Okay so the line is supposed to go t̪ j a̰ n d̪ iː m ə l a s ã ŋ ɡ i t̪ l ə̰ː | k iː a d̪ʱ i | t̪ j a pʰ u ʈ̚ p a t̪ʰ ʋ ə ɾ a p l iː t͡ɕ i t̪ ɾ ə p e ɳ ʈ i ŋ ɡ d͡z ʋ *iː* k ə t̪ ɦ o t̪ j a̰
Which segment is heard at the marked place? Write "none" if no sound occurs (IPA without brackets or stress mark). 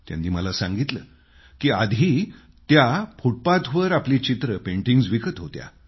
i